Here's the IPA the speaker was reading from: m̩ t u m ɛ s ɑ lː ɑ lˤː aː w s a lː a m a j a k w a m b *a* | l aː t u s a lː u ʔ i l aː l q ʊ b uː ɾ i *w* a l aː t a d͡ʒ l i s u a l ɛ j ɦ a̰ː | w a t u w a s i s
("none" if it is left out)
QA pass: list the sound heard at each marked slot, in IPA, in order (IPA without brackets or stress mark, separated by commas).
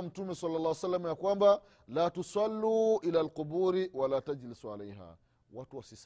a, w